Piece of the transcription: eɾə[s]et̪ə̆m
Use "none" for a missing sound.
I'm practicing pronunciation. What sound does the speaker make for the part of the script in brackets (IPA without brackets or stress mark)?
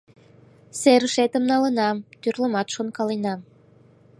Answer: ʃ